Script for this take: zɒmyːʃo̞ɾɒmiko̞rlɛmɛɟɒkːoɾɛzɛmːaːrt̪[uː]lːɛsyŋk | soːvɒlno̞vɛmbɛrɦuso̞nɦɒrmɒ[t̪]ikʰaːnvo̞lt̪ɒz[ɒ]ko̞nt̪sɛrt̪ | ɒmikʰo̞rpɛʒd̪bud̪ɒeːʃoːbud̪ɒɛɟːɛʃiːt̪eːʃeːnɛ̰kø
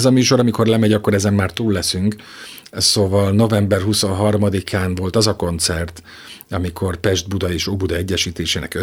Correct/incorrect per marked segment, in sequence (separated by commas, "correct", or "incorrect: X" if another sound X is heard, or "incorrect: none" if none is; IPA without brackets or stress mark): correct, incorrect: d̪, correct